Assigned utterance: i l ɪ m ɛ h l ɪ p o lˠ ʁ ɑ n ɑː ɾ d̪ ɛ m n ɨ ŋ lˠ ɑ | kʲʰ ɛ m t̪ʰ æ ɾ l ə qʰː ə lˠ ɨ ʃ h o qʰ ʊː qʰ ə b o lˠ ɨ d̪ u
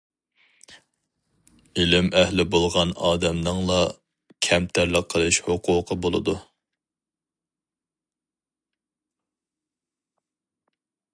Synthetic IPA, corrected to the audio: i l ɪ m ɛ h l ɪ b o lˠ ʁ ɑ n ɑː d̪ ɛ m n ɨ ŋ lˠ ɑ | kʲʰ ɛ m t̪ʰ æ ɾ l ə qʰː ə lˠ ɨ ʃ h o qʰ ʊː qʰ ə b o lˠ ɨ d̪ u